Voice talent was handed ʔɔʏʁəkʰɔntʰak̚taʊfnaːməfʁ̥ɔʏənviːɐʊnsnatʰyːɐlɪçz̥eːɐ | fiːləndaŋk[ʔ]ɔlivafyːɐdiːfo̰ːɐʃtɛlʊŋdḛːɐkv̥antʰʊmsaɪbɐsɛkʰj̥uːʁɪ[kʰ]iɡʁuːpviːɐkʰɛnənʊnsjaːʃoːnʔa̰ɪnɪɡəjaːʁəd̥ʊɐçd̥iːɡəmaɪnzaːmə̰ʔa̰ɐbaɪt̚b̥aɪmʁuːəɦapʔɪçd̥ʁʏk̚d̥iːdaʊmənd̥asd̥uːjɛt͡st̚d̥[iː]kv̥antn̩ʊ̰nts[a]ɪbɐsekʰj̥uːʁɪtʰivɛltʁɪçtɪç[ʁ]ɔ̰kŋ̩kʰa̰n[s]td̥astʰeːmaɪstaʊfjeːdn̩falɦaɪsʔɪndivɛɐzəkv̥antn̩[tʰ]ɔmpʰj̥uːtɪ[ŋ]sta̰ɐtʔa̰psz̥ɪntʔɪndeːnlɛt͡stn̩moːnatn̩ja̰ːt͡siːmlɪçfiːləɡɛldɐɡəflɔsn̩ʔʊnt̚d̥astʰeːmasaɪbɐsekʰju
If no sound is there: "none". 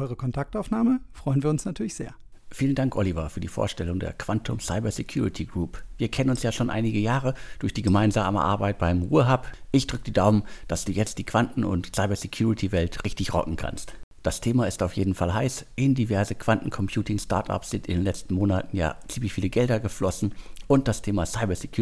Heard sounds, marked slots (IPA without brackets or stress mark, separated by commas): ʔ, tʰ, iː, a, ʁ, s, kʰ, ŋ